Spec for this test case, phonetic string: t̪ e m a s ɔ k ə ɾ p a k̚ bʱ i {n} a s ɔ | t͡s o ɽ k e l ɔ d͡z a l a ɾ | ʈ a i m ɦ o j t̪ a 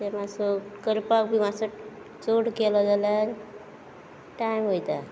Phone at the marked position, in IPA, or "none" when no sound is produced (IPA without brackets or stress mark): m